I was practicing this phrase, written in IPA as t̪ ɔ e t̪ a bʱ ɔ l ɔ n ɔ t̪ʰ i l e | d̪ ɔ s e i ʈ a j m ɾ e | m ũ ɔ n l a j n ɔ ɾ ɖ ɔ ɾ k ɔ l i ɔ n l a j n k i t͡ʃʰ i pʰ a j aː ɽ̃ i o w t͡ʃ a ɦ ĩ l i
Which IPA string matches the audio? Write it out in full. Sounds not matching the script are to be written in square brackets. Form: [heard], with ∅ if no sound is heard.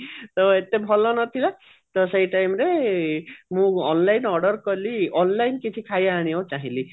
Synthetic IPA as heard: t̪ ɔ e t̪ [e] bʱ ɔ l ɔ n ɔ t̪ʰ i l [a] | [t̪] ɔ s e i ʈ a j m ɾ e | m ũ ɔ n l a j n ɔ ɾ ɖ ɔ ɾ k ɔ l i ɔ n l a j n k i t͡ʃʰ i [kʰ] a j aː ɽ̃ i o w t͡ʃ a ɦ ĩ l i